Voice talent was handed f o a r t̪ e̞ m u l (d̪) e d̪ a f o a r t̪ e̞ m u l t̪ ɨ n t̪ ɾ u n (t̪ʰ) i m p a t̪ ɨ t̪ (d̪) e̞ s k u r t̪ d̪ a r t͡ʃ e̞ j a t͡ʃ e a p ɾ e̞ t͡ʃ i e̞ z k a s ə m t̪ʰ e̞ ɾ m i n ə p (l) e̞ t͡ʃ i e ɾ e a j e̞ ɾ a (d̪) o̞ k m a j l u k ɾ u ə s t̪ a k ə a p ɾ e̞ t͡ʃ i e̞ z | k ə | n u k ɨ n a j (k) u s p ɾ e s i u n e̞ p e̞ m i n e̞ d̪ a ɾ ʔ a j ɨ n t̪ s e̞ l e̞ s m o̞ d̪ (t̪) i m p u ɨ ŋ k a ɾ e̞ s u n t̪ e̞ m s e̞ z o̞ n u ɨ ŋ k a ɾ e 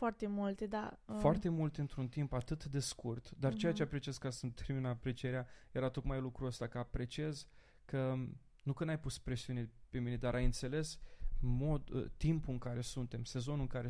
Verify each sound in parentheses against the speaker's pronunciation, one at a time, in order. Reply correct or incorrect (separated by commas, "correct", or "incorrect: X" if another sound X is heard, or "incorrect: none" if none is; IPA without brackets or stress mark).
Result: incorrect: t̪, incorrect: t̪, correct, incorrect: ɾ, incorrect: t̪, incorrect: p, correct